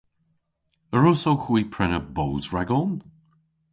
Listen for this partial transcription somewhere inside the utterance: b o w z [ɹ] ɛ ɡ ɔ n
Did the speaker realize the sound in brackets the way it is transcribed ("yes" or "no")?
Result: yes